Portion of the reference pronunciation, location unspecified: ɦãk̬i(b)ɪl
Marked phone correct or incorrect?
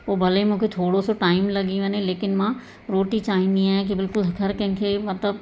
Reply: correct